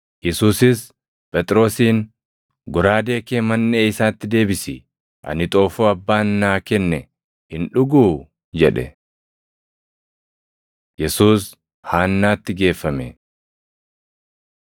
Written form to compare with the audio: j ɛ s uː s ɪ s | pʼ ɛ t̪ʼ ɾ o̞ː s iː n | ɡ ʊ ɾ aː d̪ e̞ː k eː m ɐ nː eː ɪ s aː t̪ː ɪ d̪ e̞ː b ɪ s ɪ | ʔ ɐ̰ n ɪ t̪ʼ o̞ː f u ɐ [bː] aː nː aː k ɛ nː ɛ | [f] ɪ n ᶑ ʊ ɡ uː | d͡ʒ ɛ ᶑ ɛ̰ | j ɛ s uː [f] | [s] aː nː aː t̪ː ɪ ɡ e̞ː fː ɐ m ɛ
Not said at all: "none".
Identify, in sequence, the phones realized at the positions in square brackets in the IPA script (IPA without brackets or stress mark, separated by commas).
bː, h, s, h